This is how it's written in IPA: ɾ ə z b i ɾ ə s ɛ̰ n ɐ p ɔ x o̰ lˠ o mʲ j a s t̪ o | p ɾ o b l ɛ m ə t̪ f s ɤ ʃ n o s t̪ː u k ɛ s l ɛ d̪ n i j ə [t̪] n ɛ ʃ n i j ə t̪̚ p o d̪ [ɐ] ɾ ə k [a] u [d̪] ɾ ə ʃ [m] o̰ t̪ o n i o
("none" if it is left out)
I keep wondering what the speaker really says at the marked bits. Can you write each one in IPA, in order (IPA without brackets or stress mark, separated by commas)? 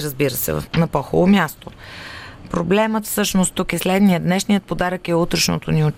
d̪, a, ɛ, t̪, n